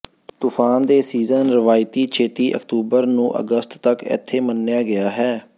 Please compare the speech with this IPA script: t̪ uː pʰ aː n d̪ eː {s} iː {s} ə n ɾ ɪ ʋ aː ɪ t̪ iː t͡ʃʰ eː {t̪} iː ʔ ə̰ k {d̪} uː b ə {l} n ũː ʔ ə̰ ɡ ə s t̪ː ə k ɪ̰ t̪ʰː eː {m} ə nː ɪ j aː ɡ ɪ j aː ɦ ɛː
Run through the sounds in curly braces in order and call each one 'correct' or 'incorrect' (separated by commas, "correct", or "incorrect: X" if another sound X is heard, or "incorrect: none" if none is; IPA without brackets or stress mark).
correct, incorrect: z, correct, incorrect: t̪, incorrect: ɾ, correct